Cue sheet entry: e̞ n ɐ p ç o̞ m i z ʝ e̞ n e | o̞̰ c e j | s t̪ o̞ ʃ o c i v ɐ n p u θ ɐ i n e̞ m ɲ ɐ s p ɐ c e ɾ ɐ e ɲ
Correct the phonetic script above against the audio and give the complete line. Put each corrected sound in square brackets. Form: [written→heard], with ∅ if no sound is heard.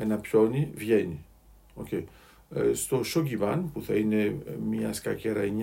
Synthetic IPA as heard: e̞ n ɐ p ç o̞ [m→n] i [z→v] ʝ e̞ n [e→i] | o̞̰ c e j | s t̪ o̞ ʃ o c i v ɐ n p u θ ɐ i n e̞ m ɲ ɐ s [p→k] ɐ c e ɾ ɐ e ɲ